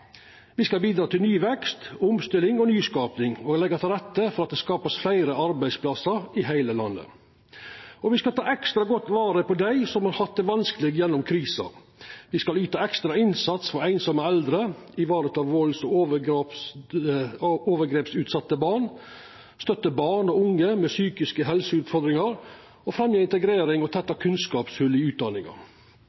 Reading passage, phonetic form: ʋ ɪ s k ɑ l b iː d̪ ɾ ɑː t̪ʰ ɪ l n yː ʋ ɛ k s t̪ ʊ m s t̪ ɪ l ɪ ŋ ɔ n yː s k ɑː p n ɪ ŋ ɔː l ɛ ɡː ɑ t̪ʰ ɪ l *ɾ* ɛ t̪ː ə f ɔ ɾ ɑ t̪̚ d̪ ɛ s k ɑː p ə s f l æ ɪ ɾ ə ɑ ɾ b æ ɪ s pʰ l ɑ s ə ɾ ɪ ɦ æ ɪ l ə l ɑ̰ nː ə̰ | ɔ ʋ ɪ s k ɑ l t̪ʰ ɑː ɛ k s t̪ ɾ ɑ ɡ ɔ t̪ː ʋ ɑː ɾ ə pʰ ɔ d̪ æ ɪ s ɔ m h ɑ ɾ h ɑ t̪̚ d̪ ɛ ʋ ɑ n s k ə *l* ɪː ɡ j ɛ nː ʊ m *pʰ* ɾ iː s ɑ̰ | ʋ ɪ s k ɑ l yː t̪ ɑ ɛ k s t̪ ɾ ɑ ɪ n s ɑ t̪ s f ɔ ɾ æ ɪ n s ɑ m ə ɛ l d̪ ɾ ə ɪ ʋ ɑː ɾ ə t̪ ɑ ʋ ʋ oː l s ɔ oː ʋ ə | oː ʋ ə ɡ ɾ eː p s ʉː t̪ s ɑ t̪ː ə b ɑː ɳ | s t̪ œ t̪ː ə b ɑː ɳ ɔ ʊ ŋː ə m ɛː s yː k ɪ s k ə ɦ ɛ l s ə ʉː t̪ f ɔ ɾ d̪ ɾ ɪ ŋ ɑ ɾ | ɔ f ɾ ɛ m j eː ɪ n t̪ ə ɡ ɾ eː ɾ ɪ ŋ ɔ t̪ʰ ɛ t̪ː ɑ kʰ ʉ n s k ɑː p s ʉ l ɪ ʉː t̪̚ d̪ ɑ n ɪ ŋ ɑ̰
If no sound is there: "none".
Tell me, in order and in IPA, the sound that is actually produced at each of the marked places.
ɾ, l, kʰ

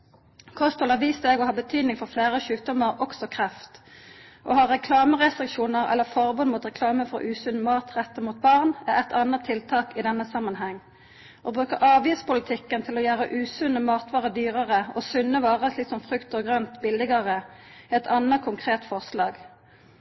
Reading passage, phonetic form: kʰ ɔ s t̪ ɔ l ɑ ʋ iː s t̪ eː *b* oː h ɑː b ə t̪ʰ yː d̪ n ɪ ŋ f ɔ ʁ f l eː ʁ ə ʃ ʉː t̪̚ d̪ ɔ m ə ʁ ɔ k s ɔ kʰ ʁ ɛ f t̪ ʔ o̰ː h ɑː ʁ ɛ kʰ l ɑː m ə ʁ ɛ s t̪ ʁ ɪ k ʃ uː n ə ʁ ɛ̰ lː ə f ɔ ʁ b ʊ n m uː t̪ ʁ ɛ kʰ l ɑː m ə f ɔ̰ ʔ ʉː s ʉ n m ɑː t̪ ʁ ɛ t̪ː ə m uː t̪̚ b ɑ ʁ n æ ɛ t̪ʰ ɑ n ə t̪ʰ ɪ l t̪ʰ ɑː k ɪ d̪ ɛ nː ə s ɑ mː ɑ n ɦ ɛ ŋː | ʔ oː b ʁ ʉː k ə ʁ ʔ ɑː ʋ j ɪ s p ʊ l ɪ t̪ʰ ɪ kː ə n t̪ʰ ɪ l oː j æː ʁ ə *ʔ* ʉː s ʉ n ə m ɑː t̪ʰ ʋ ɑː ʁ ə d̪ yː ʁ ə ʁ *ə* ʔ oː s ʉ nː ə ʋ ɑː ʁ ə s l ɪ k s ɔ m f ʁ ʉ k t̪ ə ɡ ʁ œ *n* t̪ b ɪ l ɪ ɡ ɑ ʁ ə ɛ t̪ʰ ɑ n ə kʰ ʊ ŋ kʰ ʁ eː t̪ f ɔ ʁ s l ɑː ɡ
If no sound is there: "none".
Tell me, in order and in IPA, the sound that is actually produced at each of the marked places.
ɡ, ʔ, ə, n

